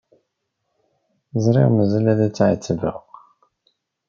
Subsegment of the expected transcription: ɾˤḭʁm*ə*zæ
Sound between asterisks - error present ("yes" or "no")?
no